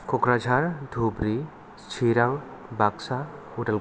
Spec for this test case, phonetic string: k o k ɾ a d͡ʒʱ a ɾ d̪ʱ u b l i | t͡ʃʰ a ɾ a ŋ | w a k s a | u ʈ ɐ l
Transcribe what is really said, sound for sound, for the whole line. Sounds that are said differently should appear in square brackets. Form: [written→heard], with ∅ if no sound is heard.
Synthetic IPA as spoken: k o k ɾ a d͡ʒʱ a ɾ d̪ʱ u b [l→ɾ] i | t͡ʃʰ [a→i] ɾ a ŋ | [w→b] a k s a | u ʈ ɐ l